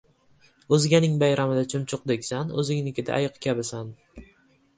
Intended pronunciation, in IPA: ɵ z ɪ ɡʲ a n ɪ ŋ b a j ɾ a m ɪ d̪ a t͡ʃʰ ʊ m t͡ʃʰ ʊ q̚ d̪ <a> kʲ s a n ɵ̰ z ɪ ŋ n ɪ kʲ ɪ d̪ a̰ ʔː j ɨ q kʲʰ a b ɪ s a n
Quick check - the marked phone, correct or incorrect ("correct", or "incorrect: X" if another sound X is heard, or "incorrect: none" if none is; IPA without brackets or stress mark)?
incorrect: e